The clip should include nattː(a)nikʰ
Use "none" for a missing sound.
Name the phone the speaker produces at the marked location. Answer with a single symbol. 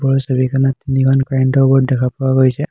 i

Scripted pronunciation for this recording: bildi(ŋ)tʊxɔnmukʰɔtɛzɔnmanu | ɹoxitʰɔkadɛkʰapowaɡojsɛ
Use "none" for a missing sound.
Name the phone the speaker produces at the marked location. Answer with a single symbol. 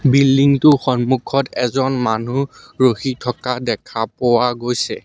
ŋ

